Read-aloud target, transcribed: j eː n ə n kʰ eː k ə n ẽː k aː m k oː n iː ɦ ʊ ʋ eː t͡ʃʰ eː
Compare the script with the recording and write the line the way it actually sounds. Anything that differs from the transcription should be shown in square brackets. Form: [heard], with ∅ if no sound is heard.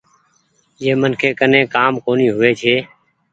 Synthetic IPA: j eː [m] ə n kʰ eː k ə n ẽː k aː m k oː n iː ɦ ʊ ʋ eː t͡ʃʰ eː

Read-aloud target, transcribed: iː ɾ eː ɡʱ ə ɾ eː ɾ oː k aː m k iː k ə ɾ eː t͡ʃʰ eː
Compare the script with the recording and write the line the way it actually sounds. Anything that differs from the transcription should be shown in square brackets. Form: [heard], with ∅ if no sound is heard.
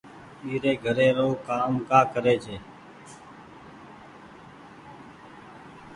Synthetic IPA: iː ɾ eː ɡʱ ə ɾ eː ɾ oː k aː m k [aː] k ə ɾ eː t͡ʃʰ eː

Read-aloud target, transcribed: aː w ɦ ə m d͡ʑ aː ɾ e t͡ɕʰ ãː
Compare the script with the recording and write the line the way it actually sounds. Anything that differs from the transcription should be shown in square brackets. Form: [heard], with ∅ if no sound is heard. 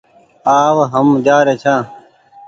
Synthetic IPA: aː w ɦ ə m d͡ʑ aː ɾ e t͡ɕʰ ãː

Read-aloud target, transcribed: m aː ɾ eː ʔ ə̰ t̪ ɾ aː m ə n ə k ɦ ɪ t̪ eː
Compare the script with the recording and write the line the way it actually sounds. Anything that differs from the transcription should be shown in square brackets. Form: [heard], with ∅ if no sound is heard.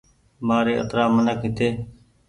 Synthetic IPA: m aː ɾ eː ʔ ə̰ t̪ ɾ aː m ə n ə k ɦ ɪ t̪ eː

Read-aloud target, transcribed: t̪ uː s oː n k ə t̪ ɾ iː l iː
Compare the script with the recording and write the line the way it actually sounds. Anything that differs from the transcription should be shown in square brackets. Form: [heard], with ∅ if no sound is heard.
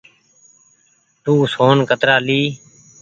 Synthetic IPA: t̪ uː s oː n k ə t̪ ɾ [aː] l iː

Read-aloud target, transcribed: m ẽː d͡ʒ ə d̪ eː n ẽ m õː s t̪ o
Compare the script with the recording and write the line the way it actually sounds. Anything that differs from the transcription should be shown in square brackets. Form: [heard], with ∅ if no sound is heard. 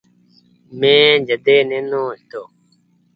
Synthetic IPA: m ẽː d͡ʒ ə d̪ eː n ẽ [n] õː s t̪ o

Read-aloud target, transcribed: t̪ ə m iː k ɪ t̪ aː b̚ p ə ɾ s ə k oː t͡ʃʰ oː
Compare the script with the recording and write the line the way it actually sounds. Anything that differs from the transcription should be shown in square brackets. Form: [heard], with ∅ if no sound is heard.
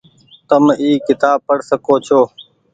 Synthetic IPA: t̪ ə m iː k ɪ t̪ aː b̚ p ə [ɽ] s ə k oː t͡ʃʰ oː

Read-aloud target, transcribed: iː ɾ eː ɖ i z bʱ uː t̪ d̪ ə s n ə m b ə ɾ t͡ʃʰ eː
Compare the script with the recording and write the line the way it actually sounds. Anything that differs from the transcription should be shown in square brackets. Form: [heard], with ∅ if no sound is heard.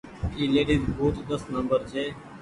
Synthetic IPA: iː [l] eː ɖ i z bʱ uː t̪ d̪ ə s n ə m b ə ɾ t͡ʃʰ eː

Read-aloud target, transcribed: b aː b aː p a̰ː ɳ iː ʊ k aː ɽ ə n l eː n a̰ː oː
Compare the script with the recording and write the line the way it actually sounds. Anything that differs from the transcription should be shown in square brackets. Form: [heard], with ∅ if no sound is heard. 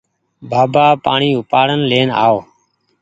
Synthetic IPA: b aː b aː p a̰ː ɳ iː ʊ [p] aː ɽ ə n l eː n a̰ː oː

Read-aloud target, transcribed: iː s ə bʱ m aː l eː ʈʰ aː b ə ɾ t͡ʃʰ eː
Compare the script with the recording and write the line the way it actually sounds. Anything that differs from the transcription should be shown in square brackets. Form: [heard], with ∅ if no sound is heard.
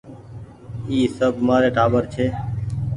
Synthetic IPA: iː s ə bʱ m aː [ɾ] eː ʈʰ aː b ə ɾ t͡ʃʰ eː

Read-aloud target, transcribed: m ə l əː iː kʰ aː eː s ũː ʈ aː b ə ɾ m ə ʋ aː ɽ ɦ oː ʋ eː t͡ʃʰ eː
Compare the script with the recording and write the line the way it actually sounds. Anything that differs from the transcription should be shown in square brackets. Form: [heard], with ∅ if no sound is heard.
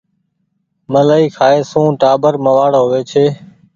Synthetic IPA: m ə l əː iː kʰ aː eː s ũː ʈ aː b ə ɾ m ə ʋ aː ɽ ɦ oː ʋ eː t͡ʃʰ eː

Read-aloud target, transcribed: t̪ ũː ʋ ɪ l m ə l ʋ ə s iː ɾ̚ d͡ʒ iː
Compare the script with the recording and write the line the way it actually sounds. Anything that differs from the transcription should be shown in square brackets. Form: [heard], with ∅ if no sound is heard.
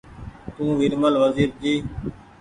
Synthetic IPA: t̪ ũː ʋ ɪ [ɾ] m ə l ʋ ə [z] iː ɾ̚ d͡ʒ iː

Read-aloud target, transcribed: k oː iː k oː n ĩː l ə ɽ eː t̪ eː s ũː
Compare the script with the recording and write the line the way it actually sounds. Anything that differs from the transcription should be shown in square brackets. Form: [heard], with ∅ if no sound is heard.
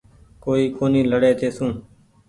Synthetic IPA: k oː iː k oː n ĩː l ə ɽ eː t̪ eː s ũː

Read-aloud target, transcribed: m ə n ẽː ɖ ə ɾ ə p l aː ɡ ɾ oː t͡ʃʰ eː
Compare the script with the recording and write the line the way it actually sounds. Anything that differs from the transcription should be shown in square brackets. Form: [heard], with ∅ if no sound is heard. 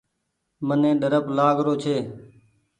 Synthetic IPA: m ə n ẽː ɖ ə ɾ ə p l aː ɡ ɾ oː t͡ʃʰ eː

